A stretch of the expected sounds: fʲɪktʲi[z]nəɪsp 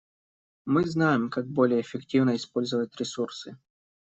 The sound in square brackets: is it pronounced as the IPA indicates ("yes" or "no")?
no